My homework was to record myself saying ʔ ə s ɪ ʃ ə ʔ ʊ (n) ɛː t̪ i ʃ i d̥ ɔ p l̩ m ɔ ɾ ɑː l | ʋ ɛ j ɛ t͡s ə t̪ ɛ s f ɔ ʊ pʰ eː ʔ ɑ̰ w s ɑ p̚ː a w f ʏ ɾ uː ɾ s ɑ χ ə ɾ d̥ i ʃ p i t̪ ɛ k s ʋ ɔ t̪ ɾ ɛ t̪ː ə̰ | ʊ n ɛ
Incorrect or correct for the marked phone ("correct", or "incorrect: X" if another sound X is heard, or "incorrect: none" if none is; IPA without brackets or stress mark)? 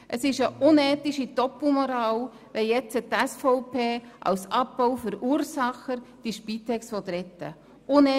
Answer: correct